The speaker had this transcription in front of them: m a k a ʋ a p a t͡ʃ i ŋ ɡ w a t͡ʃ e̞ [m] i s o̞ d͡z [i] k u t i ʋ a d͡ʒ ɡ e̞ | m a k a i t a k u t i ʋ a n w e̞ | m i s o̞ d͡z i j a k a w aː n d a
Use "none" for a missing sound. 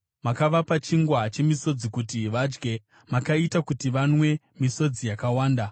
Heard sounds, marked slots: m, i

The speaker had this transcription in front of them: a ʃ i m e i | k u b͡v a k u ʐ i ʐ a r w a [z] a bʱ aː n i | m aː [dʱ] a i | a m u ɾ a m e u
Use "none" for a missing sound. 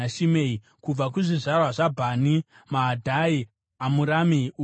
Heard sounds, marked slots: ʐ, dʱ

